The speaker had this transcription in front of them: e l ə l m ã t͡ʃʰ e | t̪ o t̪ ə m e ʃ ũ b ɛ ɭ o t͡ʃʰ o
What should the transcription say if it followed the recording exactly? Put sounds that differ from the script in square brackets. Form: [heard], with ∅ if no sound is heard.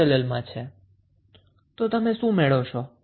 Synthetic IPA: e l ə l m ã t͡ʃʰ e | t̪ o t̪ ə m e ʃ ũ [m] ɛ ɭ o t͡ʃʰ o